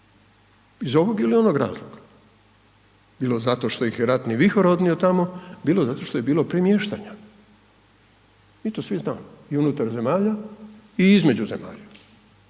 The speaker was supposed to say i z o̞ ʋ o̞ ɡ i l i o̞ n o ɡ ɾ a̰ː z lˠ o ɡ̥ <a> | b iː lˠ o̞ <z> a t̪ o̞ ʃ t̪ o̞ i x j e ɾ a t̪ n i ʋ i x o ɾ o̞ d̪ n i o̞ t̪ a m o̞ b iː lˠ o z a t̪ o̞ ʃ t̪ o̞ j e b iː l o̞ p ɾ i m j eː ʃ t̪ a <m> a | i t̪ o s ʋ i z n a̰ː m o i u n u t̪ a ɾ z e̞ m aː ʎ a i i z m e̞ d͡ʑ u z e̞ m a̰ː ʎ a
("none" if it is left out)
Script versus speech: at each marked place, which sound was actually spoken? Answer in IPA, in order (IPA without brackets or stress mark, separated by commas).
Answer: a, z, ɲ